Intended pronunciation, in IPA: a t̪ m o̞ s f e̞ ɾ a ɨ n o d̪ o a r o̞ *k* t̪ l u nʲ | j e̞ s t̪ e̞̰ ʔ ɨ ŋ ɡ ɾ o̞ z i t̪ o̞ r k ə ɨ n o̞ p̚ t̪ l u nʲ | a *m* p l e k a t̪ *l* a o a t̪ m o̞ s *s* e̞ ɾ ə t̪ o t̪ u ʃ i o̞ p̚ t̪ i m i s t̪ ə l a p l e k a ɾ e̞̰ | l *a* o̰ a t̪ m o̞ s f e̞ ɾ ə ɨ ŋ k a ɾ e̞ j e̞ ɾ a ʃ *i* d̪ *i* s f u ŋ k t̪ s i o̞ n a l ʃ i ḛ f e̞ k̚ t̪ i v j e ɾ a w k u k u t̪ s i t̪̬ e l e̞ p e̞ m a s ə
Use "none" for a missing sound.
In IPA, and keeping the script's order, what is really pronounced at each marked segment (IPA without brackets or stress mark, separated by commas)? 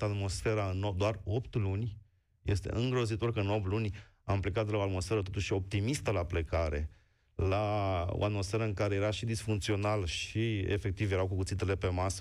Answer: p, m, l, f, a, i, i